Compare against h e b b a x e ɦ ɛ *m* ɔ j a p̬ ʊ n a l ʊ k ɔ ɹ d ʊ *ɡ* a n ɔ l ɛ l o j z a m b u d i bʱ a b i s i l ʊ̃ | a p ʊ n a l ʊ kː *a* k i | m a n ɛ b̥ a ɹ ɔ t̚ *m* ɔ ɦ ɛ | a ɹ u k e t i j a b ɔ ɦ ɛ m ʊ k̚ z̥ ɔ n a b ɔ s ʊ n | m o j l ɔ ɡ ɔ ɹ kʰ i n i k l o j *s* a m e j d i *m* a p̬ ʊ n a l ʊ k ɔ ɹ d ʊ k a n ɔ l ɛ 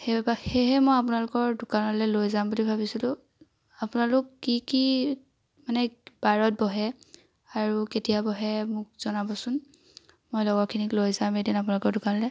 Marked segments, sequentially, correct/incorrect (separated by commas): correct, incorrect, incorrect, incorrect, incorrect, incorrect